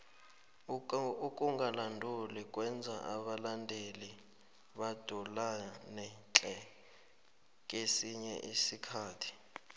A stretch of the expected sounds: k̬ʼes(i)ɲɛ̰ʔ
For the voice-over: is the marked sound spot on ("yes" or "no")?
yes